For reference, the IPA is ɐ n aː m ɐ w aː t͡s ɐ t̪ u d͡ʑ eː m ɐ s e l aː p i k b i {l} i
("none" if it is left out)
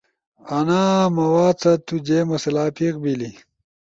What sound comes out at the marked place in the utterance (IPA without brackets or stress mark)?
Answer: l